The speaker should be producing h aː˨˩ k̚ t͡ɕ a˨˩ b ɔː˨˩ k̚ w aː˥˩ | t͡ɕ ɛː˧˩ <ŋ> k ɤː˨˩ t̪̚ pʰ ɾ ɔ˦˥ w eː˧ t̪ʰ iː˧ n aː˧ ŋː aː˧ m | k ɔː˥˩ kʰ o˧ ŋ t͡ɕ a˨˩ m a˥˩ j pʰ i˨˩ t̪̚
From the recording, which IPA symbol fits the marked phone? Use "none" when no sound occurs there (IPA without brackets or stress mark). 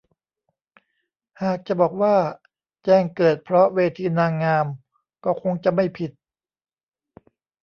ŋ